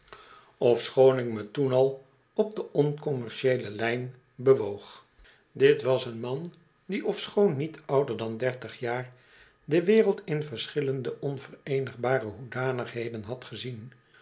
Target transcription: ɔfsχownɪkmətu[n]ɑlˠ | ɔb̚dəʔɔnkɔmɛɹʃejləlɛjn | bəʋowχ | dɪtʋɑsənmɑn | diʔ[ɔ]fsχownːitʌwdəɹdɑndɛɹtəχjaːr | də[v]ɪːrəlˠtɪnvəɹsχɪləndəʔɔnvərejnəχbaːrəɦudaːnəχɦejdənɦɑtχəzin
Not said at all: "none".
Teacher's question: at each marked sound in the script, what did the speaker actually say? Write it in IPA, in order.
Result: n, ɔ, ʋ

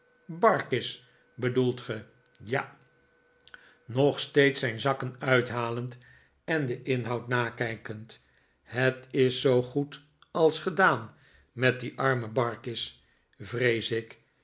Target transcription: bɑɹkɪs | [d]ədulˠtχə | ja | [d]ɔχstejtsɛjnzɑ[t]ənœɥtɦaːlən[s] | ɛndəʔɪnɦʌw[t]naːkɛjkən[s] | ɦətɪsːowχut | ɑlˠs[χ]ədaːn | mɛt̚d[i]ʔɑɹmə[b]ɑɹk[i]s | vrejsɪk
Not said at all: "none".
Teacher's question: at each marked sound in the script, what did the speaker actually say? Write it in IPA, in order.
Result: b, n, k, t, t, t, χ, i, b, ɪ

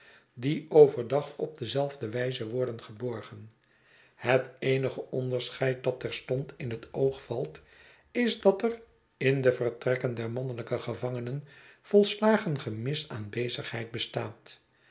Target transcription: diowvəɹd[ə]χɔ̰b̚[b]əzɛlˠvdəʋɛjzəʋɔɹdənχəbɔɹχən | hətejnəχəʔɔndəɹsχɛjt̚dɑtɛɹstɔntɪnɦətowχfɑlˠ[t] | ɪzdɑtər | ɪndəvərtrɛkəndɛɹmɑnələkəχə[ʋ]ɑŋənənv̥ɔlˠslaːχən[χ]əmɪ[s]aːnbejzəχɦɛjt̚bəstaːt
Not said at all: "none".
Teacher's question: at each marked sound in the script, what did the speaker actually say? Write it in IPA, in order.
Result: ɑ, d, t, v, χ, s

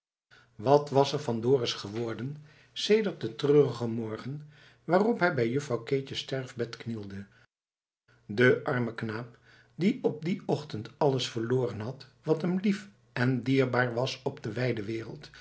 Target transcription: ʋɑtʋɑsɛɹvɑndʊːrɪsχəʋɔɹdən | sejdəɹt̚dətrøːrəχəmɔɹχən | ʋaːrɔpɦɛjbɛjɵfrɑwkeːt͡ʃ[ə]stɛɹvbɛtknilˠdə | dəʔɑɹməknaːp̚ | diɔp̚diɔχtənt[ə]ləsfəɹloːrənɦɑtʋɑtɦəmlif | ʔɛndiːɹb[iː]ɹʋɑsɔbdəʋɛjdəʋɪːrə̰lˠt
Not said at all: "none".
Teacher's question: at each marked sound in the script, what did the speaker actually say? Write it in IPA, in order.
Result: ə, ɑ, aː

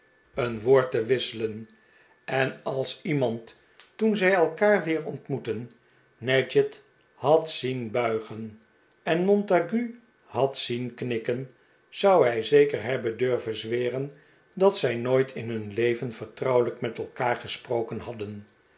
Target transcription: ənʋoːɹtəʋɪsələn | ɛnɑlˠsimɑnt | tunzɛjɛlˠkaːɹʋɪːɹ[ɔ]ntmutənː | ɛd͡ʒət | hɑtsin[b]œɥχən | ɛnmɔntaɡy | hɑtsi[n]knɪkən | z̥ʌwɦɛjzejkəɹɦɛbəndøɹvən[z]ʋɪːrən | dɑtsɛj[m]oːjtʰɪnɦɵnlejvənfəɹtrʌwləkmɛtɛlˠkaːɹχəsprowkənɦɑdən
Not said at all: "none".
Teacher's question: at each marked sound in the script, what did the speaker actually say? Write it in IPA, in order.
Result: ɔ, b, n, z, n

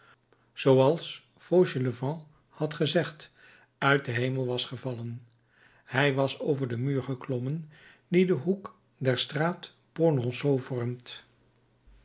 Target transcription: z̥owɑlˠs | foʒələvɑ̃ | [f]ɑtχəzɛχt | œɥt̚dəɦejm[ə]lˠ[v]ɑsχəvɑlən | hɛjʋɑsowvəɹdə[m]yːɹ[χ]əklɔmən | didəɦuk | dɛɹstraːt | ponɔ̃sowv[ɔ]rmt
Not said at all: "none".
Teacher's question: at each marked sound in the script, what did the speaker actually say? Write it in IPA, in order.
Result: h, ə, ʋ, m, χ, ɔ

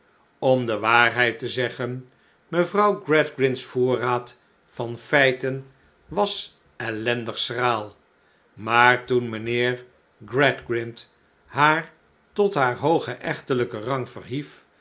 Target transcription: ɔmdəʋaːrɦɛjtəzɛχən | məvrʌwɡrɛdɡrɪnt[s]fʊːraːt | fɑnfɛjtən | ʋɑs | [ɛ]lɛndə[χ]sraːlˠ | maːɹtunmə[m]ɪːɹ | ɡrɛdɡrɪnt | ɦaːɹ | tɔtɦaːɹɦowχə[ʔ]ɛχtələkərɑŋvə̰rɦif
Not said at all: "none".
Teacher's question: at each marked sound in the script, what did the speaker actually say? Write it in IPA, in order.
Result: s, ɛ, χ, n, ʔ

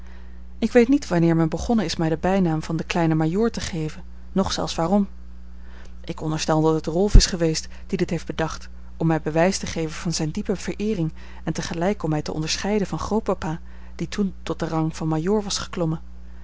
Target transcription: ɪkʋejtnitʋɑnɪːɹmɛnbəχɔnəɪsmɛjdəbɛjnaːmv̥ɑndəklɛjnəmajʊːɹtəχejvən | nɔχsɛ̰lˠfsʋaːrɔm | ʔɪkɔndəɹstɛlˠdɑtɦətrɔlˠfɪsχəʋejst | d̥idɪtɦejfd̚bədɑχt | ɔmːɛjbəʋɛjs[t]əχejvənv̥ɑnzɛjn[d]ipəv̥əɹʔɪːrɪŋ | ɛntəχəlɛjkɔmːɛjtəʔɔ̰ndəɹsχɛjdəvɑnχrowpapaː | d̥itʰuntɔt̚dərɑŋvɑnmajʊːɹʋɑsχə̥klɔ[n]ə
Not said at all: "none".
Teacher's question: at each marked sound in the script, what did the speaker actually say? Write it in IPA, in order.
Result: t, d, m

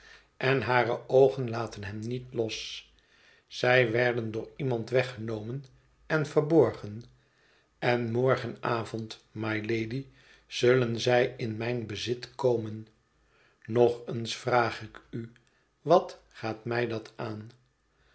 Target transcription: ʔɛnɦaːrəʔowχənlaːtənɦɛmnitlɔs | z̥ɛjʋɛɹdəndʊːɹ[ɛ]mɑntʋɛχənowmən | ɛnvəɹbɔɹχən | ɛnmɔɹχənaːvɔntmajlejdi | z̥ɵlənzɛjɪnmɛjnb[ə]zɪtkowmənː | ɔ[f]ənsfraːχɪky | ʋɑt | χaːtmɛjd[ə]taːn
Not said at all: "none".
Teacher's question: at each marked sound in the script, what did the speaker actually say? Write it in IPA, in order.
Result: i, ə, χ, ɑ

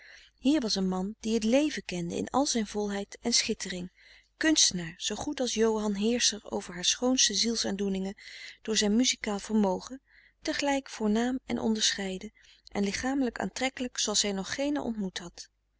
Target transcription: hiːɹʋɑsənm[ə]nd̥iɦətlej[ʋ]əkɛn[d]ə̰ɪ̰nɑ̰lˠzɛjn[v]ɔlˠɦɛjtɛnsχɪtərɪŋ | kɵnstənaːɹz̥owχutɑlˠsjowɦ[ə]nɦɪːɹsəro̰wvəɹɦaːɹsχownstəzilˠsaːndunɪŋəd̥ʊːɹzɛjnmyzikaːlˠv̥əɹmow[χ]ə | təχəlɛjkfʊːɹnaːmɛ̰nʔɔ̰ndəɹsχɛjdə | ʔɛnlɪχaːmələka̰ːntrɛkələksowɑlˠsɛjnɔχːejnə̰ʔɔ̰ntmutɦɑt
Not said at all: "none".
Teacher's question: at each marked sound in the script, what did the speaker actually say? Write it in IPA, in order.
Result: ɑ, v, d, v, ɑ, χ

